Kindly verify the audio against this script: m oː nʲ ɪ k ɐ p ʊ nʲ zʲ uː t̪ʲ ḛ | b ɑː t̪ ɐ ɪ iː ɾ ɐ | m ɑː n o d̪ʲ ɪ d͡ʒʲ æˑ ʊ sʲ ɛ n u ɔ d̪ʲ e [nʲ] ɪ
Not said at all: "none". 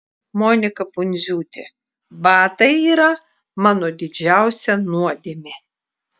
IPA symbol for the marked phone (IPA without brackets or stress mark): mʲ